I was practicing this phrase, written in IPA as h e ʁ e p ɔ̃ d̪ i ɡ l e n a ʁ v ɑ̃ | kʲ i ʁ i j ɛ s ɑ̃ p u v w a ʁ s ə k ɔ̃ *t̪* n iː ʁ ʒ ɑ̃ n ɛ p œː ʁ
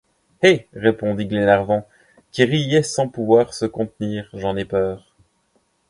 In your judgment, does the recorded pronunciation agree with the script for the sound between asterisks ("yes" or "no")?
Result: yes